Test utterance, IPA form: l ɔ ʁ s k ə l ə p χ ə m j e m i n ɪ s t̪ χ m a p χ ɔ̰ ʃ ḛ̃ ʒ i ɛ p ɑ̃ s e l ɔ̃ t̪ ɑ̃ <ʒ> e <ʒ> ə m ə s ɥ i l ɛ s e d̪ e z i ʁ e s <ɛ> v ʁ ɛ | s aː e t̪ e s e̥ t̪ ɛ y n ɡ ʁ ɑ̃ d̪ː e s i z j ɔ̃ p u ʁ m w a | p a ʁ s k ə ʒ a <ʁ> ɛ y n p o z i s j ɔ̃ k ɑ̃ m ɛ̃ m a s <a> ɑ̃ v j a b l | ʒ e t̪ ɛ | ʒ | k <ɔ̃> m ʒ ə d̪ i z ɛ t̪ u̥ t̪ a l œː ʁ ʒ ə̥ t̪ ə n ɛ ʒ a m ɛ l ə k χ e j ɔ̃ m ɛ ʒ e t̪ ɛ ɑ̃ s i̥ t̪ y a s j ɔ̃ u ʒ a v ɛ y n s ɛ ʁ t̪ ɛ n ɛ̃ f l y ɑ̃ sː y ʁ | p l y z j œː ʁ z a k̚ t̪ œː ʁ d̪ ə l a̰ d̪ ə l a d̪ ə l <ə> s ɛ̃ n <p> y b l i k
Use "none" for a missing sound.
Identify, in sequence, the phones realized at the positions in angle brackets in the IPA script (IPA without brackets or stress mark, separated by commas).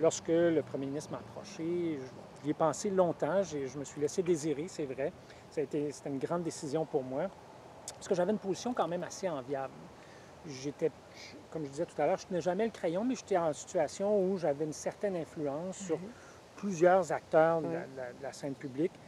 ʒ, ʒ, ɛ, v, e, ɔ, a, p